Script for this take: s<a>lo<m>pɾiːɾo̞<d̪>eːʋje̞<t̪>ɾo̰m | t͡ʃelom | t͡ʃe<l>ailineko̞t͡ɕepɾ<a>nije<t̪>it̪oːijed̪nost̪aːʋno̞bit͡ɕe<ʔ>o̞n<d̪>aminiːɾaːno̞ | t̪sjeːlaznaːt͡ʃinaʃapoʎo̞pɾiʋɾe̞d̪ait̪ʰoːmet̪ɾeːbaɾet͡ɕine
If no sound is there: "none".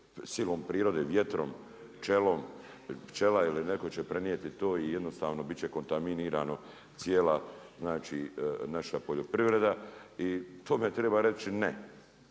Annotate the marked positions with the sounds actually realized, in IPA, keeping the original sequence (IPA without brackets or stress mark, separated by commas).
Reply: i, m, d̪, t̪, l, e, t̪, k, t̪